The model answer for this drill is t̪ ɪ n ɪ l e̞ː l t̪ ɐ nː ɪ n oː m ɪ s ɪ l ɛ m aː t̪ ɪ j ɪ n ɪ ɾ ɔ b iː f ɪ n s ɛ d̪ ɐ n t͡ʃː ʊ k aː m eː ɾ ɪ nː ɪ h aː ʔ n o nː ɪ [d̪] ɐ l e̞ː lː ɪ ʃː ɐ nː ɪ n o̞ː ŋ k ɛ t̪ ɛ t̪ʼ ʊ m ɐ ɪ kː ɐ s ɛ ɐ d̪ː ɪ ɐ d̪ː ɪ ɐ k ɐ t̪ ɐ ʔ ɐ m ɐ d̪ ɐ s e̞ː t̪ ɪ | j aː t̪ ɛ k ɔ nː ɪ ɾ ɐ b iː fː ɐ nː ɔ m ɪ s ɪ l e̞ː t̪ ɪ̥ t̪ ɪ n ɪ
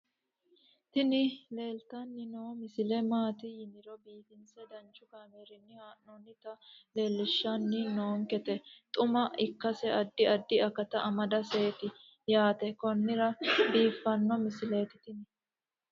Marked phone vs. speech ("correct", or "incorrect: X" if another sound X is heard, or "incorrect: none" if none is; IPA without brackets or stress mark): incorrect: t̪